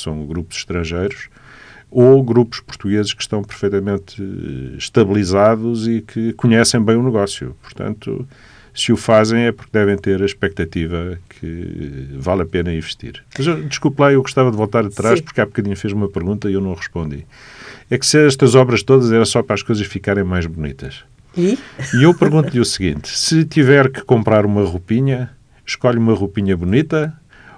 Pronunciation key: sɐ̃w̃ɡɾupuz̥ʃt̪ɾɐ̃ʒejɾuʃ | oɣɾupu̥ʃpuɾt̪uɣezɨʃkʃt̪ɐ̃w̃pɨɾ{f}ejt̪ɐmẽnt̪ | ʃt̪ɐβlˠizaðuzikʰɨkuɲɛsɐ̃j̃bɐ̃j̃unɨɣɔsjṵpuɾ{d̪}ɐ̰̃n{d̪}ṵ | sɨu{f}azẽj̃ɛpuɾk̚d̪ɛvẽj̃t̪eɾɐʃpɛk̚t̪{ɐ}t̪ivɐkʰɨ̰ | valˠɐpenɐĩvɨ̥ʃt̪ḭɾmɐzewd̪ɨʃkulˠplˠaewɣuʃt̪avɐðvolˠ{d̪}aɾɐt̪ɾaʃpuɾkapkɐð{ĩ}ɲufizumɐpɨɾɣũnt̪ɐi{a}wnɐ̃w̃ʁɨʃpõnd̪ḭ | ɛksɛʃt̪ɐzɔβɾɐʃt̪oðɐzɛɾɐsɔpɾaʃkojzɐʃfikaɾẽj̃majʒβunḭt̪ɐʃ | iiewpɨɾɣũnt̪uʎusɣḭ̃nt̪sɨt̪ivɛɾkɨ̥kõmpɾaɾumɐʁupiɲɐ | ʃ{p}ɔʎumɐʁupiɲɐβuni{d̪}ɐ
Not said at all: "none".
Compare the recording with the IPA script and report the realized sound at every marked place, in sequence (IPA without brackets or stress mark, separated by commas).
f, t̪, t̪, f, ɐ, t̪, i, e, k, t̪